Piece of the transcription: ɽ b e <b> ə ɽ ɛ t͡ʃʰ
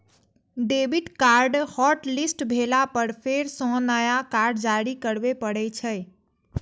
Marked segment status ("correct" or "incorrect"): incorrect